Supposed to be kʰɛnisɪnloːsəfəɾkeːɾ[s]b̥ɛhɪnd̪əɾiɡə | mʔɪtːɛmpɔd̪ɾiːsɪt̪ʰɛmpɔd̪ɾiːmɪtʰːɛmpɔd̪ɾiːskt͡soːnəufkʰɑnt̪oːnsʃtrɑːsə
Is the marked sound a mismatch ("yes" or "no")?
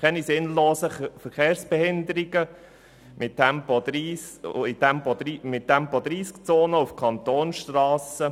no